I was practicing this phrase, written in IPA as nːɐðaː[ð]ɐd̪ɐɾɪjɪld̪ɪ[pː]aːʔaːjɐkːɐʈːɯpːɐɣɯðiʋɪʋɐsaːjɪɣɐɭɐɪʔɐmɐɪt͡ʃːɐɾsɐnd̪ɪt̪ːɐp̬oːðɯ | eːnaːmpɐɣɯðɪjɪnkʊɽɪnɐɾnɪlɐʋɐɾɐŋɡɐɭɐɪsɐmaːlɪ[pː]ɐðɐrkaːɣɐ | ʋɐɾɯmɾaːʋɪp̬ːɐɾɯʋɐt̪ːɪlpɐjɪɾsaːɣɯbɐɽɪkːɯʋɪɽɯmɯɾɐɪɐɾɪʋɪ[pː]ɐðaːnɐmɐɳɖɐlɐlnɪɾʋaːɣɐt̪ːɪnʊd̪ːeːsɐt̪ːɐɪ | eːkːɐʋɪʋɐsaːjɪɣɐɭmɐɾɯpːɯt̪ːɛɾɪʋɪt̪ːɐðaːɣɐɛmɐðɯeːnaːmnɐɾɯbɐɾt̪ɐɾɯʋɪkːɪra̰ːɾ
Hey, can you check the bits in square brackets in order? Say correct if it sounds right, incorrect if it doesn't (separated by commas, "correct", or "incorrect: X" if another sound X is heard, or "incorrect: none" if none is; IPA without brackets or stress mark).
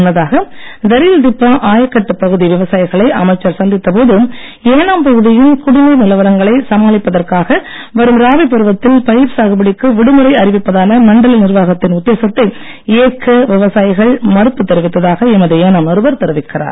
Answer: incorrect: ɣ, correct, correct, correct